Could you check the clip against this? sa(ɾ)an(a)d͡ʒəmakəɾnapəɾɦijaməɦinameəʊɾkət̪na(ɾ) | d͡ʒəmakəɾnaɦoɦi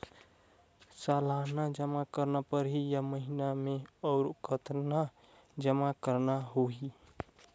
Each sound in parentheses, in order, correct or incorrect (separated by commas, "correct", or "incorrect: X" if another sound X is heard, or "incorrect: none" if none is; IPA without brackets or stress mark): incorrect: l, correct, incorrect: none